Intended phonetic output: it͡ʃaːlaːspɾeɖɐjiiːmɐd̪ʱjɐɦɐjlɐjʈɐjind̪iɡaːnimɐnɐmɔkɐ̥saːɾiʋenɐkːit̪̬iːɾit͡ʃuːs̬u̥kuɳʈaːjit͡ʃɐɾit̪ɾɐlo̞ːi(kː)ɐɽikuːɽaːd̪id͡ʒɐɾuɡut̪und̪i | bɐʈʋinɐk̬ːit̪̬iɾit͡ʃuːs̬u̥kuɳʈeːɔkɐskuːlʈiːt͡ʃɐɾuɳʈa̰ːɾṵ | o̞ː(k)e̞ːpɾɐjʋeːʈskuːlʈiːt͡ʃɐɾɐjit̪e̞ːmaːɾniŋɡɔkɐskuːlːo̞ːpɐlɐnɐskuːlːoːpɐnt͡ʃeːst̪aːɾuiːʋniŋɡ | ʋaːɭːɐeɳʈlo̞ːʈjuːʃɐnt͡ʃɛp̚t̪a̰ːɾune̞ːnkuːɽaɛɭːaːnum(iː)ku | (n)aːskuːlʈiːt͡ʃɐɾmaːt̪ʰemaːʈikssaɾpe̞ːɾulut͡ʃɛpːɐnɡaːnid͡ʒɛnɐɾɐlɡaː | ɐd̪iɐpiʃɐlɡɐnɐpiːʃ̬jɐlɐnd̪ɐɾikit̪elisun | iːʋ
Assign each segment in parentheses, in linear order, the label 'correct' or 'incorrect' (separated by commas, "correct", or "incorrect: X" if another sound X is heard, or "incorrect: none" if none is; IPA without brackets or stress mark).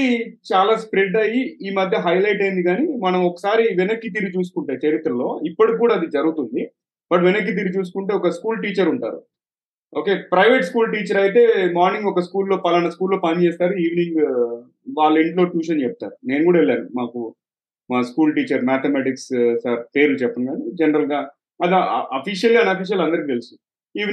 incorrect: pː, correct, incorrect: aː, incorrect: m